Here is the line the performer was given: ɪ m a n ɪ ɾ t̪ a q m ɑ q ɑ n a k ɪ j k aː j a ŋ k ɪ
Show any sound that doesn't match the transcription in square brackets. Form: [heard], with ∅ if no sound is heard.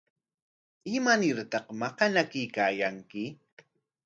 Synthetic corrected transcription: ɪ m a n ɪ ɾ t̪ [ɑ] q m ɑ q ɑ n a k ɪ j k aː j a ŋ k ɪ